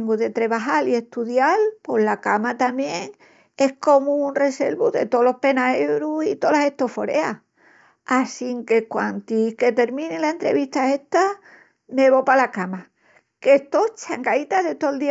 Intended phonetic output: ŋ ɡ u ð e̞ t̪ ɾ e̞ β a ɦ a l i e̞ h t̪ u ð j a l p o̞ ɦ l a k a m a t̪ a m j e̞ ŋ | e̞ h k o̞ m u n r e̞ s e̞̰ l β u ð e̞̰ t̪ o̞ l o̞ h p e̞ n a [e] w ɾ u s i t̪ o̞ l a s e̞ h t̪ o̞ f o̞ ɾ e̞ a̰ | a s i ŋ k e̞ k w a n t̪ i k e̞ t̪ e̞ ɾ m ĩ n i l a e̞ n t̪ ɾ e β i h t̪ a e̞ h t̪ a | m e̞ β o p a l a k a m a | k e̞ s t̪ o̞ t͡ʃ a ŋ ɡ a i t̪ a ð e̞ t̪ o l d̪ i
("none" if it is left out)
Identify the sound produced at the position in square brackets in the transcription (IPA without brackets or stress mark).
e